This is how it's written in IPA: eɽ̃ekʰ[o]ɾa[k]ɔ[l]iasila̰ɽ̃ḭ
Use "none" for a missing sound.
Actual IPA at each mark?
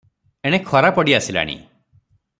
ɔ, p, ɽ

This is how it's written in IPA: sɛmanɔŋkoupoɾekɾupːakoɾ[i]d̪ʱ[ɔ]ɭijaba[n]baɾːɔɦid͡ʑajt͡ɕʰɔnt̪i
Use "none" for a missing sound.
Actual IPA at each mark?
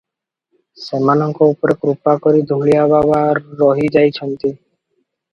i, u, none

